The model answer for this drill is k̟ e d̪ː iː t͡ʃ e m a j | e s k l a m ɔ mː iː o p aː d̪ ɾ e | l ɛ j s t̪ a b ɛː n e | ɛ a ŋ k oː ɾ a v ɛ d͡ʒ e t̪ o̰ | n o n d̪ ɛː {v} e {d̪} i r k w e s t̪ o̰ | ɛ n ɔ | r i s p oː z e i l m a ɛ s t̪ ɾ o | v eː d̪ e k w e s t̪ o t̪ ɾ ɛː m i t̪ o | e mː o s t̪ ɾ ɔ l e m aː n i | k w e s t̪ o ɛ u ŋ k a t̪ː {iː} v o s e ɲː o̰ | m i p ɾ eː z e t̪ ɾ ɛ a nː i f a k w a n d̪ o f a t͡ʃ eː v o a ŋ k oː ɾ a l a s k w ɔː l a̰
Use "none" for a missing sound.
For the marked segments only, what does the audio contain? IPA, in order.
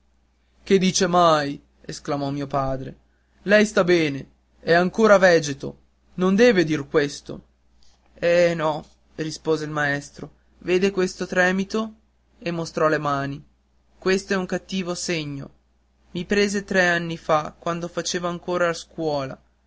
v, d̪, iː

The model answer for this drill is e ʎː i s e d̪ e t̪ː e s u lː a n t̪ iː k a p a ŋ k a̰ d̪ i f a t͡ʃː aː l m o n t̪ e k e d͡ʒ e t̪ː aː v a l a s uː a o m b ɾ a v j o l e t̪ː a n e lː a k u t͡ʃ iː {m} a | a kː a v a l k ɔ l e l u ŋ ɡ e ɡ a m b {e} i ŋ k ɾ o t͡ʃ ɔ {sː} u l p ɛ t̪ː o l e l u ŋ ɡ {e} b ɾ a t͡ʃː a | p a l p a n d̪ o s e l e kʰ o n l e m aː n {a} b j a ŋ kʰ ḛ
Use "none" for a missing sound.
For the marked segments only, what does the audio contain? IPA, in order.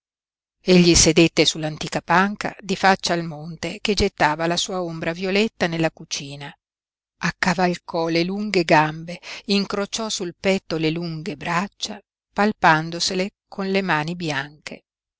n, e, s, e, i

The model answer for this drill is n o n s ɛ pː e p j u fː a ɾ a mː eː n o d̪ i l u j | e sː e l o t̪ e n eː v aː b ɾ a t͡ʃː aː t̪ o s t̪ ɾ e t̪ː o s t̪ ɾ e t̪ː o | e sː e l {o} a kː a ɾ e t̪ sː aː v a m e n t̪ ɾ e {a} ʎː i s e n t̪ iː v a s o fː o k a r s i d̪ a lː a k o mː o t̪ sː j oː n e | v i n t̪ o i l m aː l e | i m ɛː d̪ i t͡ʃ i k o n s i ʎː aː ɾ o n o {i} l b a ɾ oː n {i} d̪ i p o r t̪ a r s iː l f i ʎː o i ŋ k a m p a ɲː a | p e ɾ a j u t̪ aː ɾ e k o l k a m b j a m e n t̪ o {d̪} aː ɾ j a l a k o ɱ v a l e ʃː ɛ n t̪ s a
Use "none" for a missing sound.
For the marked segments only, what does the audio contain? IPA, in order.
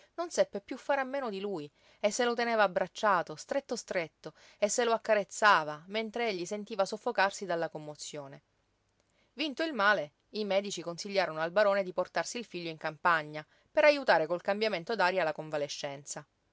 o, e, a, e, d̪

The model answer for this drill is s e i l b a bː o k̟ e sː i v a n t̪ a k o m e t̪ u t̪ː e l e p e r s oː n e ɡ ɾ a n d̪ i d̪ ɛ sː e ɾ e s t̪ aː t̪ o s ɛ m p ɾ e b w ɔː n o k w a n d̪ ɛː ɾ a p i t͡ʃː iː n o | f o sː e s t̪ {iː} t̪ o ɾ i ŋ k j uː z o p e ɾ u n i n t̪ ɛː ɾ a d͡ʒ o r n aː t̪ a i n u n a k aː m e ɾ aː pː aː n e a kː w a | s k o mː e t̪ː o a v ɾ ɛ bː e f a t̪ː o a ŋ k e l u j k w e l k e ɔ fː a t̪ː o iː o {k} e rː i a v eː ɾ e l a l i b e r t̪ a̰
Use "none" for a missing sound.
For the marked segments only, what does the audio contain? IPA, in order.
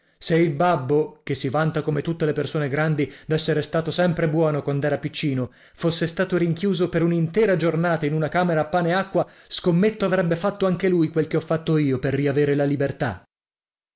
aː, p

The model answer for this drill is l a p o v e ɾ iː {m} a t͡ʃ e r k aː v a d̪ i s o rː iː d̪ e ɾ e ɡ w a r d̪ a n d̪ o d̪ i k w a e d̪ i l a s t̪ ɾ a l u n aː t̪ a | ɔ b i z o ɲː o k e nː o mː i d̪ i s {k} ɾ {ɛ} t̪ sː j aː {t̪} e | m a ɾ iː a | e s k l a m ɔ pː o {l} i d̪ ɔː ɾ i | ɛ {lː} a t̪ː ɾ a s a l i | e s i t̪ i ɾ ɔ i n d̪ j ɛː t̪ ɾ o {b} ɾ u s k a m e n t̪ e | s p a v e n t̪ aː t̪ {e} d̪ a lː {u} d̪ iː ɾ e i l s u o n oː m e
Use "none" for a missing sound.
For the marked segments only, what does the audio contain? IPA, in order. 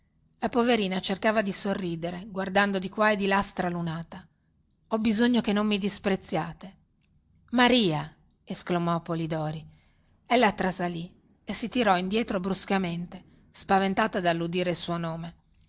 n, p, e, t̪, l, lː, b, a, u

